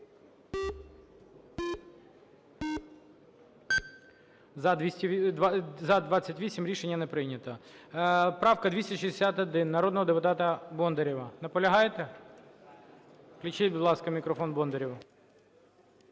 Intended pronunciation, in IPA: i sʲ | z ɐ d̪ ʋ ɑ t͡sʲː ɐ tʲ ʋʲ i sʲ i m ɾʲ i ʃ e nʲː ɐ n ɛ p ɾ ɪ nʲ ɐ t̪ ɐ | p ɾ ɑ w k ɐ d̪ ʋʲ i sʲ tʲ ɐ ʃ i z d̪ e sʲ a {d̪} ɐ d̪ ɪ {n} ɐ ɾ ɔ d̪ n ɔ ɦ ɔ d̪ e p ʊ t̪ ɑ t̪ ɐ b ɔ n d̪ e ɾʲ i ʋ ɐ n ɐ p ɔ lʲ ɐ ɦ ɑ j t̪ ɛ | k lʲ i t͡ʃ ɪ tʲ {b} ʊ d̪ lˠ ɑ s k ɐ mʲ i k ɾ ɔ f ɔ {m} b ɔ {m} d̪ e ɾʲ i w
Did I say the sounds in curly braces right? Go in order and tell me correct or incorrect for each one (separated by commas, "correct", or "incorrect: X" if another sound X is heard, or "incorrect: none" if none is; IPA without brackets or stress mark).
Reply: incorrect: t̪, incorrect: nː, correct, incorrect: n, incorrect: n